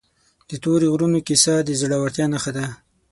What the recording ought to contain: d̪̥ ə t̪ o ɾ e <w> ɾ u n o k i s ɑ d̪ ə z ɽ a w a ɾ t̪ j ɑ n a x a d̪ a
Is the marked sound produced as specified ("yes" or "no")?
no